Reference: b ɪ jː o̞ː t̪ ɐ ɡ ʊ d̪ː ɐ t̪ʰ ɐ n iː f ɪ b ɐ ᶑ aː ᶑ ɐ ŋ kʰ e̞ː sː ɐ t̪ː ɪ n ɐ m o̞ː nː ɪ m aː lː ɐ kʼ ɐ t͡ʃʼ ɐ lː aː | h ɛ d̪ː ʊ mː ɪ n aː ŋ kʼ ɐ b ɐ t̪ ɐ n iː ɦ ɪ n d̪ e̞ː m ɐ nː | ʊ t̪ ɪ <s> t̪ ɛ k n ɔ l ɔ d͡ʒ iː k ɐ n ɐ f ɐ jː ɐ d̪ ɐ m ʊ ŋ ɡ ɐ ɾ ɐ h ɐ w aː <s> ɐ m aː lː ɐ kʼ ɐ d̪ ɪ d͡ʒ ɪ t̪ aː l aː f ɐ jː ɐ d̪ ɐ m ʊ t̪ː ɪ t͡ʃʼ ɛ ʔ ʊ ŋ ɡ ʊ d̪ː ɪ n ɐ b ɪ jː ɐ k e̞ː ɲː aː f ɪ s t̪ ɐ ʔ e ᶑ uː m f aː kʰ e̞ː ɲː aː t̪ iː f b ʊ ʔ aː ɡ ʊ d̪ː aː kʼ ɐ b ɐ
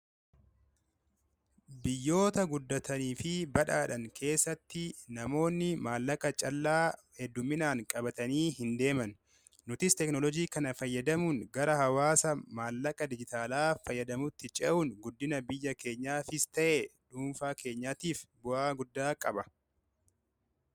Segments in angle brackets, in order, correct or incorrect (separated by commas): correct, correct